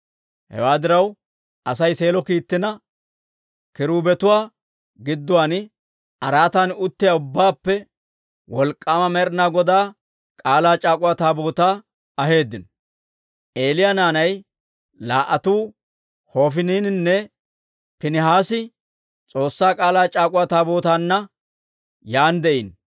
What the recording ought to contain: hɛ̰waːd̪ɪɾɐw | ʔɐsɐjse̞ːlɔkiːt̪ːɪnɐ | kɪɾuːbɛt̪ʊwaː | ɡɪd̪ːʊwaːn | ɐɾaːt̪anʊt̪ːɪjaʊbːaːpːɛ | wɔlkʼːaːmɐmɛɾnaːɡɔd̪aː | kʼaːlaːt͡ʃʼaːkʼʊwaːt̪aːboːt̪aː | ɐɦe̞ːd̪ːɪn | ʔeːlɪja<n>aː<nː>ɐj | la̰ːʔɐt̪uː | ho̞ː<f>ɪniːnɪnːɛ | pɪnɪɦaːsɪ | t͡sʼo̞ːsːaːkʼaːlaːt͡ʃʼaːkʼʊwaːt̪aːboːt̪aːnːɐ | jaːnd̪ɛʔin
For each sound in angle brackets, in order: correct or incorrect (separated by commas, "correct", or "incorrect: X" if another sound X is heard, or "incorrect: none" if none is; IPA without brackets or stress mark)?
correct, incorrect: n, correct